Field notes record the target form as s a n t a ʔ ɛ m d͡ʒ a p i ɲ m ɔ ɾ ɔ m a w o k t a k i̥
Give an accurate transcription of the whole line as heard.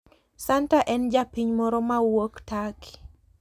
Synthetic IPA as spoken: s a n t a ʔ ɛ n d͡ʒ a p i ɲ m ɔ ɾ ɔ m a w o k t a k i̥

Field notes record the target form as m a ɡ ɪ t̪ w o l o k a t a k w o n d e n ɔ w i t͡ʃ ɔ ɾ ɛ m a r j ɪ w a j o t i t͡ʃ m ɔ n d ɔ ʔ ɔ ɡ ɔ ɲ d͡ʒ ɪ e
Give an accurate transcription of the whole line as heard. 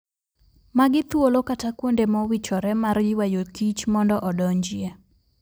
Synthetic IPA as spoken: m a ɡ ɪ t̪ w o l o k a t a k w o n d e m ɔ w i t͡ʃ ɔ ɾ ɛ m a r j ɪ w a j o k i t͡ʃ m ɔ n d ɔ ʔ ɔ d ɔ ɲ d͡ʒ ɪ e

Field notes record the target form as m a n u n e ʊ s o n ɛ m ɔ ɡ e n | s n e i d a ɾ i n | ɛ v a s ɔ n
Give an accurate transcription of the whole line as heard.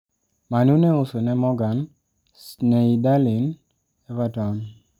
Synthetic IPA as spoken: m a n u n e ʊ s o n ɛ m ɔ ɡ a n | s n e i d a l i n | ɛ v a t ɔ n

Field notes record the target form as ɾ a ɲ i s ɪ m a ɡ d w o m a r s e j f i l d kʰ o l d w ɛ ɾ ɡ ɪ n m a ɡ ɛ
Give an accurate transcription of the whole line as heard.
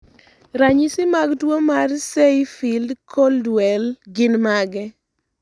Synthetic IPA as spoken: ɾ a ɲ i s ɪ m a ɡ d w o m a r s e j f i l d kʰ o l d w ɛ l ɡ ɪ n m a ɡ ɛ

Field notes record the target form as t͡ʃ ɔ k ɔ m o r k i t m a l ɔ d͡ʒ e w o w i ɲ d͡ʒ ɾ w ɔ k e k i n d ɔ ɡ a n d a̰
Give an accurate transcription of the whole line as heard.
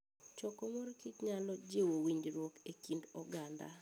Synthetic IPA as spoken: t͡ʃ ɔ k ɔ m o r k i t ɲ a l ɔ d͡ʒ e w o w i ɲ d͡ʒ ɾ w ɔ k e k i n d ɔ ɡ a n d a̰

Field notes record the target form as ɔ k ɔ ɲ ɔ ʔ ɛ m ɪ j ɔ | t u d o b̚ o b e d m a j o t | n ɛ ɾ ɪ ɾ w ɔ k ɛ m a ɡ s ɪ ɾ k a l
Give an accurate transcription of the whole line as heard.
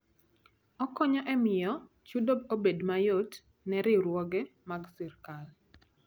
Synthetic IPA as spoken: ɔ k ɔ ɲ ɔ ʔ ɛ m ɪ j ɔ | t͡ʃ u d o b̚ o b e d m a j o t | n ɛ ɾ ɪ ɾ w ɔ ɡ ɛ m a ɡ s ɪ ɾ k a l

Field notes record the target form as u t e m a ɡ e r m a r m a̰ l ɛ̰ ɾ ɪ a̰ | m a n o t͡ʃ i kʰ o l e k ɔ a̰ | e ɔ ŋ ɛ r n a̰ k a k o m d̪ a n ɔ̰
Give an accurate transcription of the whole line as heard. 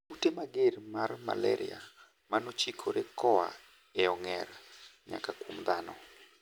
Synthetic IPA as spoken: u t e m a ɡ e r m a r m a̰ l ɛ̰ ɾ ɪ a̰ | m a n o t͡ʃ i kʰ o ɾ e k ɔ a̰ | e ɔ ŋ ɛ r ɲ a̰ k a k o m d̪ a n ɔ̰

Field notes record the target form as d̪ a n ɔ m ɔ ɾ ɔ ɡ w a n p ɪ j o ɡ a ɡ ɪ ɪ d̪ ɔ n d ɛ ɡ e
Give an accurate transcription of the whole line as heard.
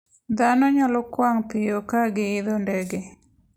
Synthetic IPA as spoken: d̪ a n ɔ ɲ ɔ l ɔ k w a ŋ p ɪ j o k a ɡ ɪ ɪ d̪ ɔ n d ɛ ɡ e

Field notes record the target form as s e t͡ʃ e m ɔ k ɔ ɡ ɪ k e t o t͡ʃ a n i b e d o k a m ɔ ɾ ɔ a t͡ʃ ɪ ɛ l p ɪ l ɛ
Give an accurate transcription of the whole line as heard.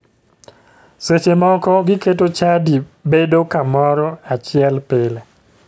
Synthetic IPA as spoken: s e t͡ʃ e m ɔ k ɔ ɡ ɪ k e t o t͡ʃ a d i b e d o k a m ɔ ɾ ɔ a t͡ʃ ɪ ɛ l p ɪ l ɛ

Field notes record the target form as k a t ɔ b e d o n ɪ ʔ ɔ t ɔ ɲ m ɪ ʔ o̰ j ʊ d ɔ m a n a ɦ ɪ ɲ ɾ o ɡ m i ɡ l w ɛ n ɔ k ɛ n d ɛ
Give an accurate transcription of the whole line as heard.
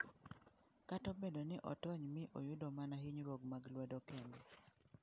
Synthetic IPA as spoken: k a t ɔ b e d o n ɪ ʔ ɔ t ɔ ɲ m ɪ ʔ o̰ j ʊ d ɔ m a n a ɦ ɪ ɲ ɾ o ɡ m a ɡ l w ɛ d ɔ k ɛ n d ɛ

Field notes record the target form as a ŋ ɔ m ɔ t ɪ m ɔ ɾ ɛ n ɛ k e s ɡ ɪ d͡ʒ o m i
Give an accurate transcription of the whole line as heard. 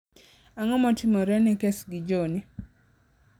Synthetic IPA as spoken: a ŋ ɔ m ɔ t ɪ m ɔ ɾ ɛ n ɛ k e s ɡ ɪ d͡ʒ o n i

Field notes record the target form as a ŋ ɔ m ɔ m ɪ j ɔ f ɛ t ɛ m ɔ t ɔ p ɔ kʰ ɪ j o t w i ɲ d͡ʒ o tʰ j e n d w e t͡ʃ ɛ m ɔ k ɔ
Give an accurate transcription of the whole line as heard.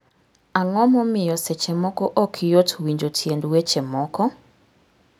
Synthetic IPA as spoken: a ŋ ɔ m ɔ m ɪ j ɔ s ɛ t͡ʃ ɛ m ɔ k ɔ ʔ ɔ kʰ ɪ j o t w i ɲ d͡ʒ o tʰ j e n d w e t͡ʃ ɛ m ɔ k ɔ

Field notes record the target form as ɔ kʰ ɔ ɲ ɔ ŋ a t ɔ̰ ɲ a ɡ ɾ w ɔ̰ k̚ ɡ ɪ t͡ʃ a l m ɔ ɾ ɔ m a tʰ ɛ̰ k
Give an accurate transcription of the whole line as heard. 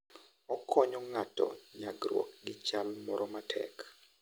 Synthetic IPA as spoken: ɔ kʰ ɔ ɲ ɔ ŋ a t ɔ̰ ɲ a ɡ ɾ w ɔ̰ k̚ ɡ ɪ t͡ʃ a l m ɔ ɾ ɔ m a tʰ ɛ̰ k

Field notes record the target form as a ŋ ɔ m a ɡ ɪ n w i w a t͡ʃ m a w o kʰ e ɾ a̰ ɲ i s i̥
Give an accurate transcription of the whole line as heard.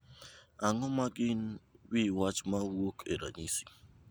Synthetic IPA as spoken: a ŋ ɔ m a ɡ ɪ n w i w a t͡ʃ m a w o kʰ e ɾ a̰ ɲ i s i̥

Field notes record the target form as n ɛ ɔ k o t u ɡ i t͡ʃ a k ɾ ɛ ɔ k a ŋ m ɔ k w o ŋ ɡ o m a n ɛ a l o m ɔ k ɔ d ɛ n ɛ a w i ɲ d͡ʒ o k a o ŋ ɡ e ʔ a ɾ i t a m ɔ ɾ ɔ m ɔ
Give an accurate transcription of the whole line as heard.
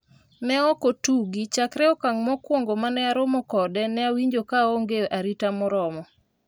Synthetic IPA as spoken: n ɛ ɔ k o t u ɡ i t͡ʃ a k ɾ ɛ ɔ k a ŋ m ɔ k w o ŋ ɡ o m a n ɛ a ɾ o m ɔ k ɔ d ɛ n ɛ a w i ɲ d͡ʒ o k a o ŋ ɡ e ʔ a ɾ i t a m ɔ ɾ ɔ m ɔ

